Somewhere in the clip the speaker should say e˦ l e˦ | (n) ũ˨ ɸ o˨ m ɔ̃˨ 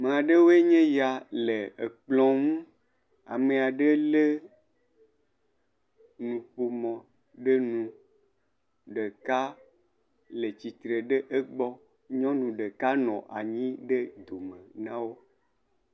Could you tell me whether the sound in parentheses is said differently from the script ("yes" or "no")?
no